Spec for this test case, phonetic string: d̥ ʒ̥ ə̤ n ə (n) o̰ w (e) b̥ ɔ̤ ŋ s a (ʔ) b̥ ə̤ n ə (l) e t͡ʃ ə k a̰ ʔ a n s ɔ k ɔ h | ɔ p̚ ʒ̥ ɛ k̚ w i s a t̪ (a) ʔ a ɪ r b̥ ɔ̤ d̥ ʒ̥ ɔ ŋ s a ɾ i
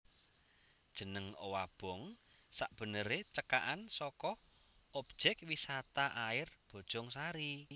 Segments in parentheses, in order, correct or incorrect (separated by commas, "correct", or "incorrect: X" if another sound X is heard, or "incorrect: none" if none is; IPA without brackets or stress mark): incorrect: ŋ, incorrect: a, correct, incorrect: ɾ, correct